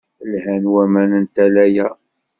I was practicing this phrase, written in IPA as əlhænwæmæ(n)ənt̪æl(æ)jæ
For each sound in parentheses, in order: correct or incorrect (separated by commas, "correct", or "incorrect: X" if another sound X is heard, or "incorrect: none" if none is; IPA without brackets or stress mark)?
correct, correct